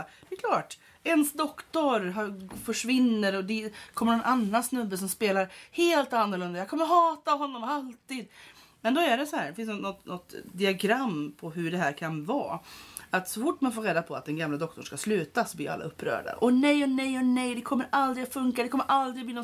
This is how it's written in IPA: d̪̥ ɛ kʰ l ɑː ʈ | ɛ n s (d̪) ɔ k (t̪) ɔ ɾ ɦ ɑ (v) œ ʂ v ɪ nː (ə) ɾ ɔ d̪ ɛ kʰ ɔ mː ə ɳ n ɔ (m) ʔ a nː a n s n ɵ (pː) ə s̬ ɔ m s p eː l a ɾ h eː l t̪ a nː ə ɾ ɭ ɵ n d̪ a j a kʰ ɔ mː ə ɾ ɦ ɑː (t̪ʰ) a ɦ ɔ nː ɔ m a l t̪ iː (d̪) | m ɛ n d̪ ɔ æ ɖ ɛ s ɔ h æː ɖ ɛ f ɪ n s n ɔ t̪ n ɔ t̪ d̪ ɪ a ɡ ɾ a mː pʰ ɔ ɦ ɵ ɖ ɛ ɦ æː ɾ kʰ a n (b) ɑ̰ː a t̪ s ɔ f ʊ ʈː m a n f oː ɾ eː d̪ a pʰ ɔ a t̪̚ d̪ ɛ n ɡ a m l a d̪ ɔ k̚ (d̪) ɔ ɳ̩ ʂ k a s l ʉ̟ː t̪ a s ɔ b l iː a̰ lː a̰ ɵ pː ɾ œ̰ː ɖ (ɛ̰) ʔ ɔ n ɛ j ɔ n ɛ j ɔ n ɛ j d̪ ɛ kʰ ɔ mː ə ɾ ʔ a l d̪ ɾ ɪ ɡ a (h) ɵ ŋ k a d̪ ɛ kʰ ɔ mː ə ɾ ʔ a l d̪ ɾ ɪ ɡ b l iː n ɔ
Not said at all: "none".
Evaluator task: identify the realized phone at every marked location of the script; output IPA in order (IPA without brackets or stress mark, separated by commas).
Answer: d̪, t̪, f, ə, n, bː, t̪, d̪, v, t̪, a̰, f